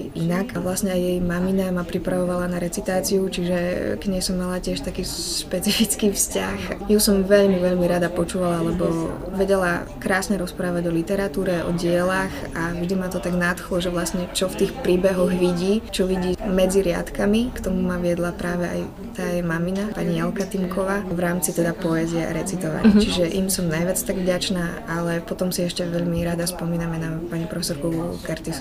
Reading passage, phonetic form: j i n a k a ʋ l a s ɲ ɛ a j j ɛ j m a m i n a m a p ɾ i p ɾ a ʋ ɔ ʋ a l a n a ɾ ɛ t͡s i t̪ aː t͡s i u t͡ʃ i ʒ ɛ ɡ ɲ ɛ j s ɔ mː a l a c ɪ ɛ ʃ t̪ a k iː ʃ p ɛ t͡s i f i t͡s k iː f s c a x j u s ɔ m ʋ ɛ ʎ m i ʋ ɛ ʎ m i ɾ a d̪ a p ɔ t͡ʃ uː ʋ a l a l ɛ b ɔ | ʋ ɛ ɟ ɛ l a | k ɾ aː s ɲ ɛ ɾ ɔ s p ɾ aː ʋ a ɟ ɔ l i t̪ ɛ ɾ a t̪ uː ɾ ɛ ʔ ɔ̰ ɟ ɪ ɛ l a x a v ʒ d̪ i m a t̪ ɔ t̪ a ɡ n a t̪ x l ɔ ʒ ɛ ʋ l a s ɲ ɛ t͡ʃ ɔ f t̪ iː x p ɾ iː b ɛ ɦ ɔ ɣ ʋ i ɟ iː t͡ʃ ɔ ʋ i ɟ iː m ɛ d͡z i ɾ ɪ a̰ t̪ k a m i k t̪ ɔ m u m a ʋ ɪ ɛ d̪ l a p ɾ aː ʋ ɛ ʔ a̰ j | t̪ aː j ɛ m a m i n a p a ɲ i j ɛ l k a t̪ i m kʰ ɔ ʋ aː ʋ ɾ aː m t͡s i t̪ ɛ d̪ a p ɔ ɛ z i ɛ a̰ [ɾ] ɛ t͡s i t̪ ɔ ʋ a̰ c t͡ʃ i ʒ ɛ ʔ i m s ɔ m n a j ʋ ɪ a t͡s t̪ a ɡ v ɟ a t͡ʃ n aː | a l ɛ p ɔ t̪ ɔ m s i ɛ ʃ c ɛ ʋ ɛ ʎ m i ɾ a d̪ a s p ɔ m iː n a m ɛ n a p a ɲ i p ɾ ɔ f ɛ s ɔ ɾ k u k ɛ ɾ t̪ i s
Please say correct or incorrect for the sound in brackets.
correct